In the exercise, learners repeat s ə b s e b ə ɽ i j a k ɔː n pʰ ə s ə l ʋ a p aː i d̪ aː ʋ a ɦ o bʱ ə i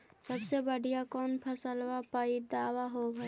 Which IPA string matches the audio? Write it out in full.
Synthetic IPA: s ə b s e b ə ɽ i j a k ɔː n pʰ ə s ə l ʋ a p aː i d̪ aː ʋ a ɦ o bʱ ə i